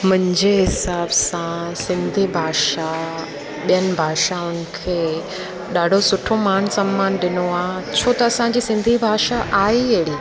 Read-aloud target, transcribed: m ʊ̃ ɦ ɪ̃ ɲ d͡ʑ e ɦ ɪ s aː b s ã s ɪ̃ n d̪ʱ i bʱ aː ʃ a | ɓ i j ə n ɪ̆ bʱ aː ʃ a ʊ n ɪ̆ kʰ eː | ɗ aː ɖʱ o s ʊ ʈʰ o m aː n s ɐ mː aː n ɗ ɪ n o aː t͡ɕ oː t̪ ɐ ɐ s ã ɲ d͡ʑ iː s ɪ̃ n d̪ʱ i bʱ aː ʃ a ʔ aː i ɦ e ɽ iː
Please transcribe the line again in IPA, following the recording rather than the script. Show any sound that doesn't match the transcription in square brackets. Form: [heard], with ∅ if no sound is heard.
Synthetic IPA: m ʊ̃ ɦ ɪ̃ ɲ d͡ʑ e ɦ ɪ s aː b s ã s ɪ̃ n d̪ʱ i bʱ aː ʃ a | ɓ i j ə n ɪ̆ bʱ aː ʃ a ʊ n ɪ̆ kʰ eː | ɗ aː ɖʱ o s ʊ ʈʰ o m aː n s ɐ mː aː n ɗ ɪ n o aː [t͡ɕʰ] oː t̪ ɐ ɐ s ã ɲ d͡ʑ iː s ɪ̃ n d̪ʱ i bʱ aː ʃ a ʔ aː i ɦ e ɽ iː